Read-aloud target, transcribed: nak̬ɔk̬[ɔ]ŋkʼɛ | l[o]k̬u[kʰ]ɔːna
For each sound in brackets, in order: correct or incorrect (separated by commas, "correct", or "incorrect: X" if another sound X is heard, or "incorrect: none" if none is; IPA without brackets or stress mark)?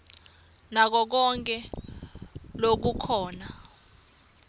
correct, correct, correct